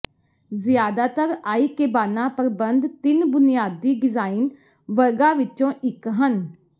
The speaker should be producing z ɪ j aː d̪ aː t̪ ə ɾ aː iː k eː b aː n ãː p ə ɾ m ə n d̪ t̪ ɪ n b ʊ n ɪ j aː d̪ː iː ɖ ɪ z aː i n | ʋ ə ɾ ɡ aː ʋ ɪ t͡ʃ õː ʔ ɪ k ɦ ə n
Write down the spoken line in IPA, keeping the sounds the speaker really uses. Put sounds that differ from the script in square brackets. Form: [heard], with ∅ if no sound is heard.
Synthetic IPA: z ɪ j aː d̪ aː t̪ ə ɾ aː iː k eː b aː n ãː p ə ɾ [b] ə n d̪ t̪ ɪ n b ʊ n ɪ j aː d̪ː iː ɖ ɪ z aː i n | ʋ ə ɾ ɡ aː ʋ ɪ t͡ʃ õː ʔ ɪ k ɦ ə n